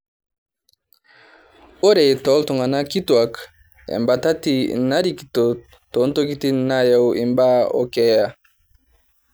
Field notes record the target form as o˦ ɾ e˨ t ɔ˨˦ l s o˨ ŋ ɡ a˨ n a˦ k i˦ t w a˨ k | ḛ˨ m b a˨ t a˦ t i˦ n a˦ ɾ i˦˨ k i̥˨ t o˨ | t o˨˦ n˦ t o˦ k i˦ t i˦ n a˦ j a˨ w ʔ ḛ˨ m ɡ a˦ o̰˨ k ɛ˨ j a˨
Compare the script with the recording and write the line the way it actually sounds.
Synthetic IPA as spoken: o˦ ɾ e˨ t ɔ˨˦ l t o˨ ŋ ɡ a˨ n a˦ k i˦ t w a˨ k | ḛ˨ m b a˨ t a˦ t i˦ n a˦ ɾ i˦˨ k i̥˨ t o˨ | t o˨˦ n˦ t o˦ k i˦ t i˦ n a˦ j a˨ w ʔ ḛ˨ m b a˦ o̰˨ k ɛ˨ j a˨